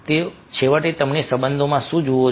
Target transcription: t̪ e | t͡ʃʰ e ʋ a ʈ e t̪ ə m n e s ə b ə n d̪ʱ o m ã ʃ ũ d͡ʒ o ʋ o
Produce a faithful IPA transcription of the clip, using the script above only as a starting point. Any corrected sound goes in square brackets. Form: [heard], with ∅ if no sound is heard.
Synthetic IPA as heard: t̪ e | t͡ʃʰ e ʋ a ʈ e t̪ ə m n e s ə b ə n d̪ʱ o m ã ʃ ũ d͡ʒ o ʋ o